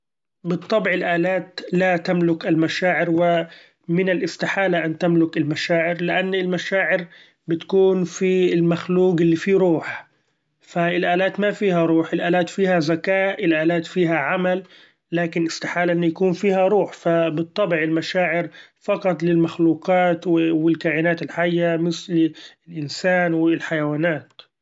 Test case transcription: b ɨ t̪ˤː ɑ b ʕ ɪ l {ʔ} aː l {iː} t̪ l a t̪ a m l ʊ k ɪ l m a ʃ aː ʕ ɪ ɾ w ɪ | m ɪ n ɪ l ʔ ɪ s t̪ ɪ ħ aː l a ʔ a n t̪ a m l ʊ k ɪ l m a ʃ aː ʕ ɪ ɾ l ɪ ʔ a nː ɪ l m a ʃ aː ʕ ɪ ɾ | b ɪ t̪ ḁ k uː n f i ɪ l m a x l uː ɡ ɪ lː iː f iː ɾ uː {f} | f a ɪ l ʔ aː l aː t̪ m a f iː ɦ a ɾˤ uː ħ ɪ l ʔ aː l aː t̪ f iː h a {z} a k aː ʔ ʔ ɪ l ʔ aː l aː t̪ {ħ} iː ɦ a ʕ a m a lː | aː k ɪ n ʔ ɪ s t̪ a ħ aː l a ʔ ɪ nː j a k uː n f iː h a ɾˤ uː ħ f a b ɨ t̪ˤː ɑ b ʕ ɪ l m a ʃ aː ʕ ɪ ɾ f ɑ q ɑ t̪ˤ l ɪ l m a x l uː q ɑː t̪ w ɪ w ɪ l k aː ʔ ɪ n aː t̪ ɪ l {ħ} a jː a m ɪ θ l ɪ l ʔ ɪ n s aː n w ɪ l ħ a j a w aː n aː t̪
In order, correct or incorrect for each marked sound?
correct, incorrect: aː, incorrect: ħ, correct, incorrect: f, correct

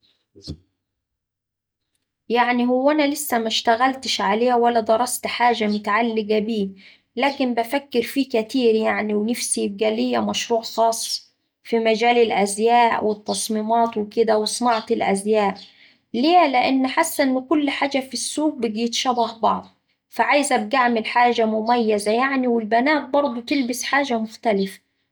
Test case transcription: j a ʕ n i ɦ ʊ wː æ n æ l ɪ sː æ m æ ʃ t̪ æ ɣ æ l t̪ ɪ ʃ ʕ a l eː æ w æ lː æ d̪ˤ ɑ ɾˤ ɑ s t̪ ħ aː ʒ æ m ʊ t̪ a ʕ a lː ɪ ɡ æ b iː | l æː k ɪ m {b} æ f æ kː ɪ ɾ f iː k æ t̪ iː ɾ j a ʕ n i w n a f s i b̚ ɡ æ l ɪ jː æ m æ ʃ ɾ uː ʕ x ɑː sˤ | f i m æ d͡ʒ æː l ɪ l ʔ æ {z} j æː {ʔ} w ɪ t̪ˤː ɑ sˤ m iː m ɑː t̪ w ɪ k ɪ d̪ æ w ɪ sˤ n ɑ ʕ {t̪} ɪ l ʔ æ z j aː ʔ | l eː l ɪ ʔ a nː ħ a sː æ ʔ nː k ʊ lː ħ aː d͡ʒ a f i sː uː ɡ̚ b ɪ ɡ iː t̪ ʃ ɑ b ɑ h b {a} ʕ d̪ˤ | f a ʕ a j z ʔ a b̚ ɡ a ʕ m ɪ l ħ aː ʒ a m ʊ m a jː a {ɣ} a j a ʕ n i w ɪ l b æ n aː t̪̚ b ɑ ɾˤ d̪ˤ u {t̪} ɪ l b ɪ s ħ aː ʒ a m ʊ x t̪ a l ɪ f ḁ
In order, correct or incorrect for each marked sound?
correct, correct, correct, correct, incorrect: ɑ, incorrect: z, correct

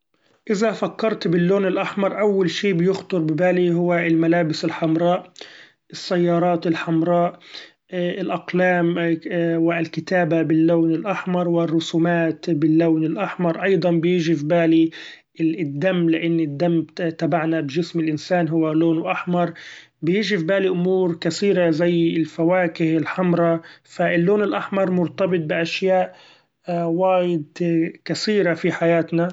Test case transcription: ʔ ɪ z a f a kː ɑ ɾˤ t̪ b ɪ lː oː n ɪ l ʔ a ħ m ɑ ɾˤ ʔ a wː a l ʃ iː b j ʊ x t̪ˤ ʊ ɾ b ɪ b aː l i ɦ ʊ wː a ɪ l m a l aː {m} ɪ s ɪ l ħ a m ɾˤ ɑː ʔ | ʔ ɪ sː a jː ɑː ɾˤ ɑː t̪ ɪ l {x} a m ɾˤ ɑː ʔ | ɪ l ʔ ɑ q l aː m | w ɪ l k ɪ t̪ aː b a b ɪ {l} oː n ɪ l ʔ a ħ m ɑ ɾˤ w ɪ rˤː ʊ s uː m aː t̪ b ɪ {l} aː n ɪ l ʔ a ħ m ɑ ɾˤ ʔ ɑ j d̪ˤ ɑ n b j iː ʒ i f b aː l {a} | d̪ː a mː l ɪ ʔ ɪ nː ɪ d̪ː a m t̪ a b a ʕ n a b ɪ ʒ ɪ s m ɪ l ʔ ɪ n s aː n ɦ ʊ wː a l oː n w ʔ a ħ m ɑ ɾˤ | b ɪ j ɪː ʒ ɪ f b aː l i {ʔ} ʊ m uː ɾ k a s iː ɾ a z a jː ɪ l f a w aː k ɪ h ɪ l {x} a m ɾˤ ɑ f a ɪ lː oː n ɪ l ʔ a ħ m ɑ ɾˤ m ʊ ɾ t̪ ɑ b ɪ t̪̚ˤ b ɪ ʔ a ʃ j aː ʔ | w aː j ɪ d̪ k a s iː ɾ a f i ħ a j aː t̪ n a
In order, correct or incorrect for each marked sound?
incorrect: b, incorrect: ħ, incorrect: lː, incorrect: lː, incorrect: i, correct, incorrect: ħ

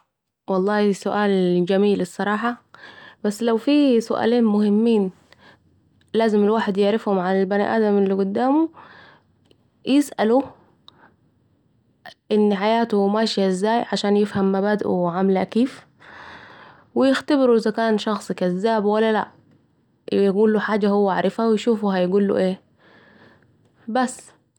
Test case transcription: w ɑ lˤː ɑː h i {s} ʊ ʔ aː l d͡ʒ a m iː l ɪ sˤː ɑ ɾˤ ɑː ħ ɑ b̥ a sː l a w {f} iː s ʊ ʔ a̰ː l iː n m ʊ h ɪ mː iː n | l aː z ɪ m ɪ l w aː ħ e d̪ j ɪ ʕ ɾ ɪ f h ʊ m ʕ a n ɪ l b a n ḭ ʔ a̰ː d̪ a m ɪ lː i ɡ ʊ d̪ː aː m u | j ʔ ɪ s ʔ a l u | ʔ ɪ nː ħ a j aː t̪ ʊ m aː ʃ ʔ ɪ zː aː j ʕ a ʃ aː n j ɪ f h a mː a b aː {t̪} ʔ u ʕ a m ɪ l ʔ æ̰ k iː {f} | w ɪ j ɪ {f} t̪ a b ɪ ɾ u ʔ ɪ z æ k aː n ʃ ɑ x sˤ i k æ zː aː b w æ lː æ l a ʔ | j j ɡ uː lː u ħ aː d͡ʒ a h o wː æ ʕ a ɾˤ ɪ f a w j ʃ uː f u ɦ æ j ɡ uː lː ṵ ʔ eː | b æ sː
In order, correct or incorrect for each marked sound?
correct, correct, incorrect: d̪, correct, incorrect: x

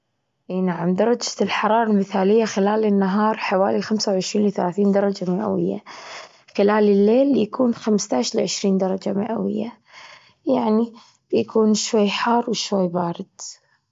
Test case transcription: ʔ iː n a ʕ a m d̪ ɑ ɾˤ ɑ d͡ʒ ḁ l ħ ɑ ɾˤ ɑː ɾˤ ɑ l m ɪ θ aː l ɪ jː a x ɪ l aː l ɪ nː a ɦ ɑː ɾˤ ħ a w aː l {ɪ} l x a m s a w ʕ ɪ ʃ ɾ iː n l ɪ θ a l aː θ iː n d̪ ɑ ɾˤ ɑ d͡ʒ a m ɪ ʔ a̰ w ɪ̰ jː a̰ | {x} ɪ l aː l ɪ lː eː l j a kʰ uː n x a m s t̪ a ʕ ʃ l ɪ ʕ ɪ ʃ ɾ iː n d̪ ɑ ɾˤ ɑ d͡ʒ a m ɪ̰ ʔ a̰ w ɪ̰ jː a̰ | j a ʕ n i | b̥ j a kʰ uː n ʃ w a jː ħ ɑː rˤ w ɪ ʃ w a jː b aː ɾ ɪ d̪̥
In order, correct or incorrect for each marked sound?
incorrect: i, correct

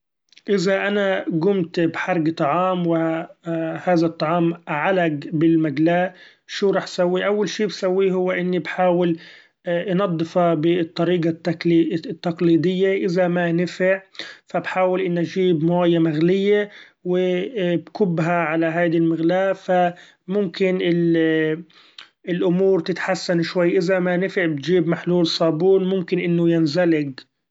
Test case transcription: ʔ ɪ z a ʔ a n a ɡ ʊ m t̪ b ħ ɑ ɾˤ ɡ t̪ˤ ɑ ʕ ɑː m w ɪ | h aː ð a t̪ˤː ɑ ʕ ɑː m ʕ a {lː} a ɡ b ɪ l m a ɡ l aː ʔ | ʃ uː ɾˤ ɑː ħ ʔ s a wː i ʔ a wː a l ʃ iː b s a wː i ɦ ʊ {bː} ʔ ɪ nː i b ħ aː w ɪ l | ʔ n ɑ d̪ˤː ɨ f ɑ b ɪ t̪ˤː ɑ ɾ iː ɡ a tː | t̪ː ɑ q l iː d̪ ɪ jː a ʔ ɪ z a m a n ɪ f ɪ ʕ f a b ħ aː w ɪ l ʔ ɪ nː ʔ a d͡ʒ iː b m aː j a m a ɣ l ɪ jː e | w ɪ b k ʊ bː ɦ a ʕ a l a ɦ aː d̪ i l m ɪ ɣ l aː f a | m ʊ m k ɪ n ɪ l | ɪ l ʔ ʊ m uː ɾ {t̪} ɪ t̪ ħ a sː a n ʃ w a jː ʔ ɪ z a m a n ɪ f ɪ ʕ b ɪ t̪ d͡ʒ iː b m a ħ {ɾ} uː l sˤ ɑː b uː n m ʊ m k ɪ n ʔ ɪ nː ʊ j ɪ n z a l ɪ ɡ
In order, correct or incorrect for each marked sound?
incorrect: l, incorrect: wː, correct, incorrect: l

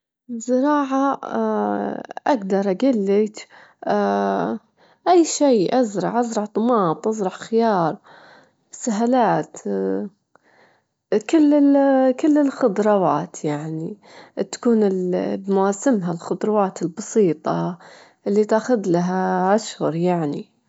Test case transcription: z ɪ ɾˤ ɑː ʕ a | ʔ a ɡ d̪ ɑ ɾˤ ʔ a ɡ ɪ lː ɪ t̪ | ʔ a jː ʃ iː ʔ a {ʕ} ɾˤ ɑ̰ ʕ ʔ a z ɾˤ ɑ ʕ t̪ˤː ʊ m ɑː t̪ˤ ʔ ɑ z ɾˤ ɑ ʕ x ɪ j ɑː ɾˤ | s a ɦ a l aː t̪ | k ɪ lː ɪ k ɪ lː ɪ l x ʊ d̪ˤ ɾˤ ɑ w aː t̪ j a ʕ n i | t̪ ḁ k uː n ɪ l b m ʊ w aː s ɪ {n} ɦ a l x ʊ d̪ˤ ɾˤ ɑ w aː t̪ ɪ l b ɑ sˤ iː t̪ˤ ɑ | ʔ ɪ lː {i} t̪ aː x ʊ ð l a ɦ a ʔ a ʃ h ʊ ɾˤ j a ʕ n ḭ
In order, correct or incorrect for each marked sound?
incorrect: z, incorrect: m, correct

